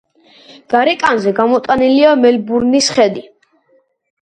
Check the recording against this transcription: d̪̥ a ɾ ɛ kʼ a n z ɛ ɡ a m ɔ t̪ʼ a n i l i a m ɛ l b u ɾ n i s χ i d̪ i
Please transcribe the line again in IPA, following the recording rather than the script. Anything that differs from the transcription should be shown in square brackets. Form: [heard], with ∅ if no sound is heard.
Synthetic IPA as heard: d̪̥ a ɾ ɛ kʼ a n z ɛ ɡ a m ɔ t̪ʼ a n i l i a m ɛ l b u ɾ n i s χ [ɛ] d̪ i